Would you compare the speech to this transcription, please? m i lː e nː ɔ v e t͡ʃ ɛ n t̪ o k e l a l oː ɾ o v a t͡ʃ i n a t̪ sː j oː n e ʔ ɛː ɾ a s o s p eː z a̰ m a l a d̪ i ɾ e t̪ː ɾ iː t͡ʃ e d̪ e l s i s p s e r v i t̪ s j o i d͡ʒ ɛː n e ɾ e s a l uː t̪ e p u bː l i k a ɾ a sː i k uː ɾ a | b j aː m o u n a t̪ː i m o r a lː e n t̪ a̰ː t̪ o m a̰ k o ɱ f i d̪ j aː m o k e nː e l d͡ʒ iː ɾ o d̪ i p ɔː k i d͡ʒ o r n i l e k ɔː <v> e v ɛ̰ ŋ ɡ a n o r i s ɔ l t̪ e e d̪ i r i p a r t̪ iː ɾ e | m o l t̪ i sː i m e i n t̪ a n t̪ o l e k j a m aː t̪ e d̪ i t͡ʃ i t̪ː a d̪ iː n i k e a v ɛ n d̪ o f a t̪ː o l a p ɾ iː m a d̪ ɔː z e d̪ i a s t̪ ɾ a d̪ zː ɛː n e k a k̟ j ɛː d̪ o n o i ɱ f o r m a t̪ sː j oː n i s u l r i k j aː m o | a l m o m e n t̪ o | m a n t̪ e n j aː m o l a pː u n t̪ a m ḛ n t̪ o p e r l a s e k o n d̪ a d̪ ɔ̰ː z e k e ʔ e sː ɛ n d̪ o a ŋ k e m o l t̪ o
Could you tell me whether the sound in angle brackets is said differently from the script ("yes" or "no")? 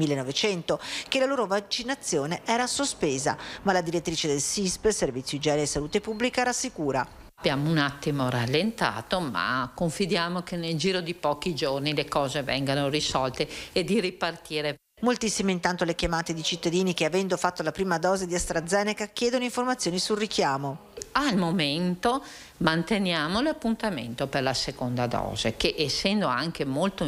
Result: yes